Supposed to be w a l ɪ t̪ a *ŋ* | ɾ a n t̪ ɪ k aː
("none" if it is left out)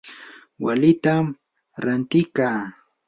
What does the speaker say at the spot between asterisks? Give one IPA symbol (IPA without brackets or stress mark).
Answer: m